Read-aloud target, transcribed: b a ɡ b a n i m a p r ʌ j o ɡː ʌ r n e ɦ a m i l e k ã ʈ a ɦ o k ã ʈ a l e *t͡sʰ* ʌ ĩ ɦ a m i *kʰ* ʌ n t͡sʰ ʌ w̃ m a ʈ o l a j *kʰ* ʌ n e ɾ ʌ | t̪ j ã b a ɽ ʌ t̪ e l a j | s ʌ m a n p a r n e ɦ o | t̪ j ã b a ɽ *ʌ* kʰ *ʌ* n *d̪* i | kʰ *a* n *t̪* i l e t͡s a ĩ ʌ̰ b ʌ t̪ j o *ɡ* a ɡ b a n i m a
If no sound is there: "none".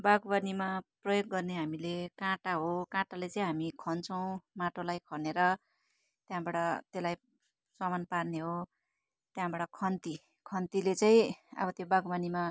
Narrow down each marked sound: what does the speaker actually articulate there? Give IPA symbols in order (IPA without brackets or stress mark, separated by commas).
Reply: t͡s, kʰ, kʰ, ʌ, ʌ, t̪, ʌ, t̪, b